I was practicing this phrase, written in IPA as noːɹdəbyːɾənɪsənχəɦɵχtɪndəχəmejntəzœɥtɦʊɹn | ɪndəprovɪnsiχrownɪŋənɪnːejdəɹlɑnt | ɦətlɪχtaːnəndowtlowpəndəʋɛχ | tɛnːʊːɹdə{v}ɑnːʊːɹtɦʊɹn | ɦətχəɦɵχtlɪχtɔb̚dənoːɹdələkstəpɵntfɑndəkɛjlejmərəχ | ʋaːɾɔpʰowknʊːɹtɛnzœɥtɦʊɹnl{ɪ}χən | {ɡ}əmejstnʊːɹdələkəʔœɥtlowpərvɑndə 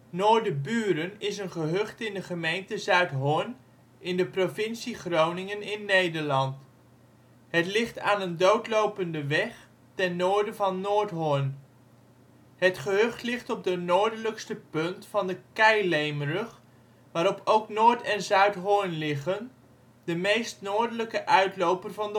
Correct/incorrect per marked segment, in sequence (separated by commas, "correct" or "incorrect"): correct, correct, incorrect